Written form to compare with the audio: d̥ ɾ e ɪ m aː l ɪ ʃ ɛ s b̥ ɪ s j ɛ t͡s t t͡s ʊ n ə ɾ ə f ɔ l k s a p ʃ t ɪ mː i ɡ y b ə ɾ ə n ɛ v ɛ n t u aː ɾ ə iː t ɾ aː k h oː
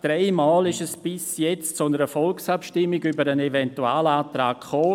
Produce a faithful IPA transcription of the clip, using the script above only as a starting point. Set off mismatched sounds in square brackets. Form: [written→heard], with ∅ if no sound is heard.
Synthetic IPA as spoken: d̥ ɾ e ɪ m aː l ɪ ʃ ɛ s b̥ ɪ s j ɛ t͡s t t͡s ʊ n ə ɾ ə f ɔ l k s a p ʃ t ɪ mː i ɡ y b ə ɾ ə n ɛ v ɛ n t u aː [ɾ→l] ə [iː→aː] t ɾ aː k [h→χ] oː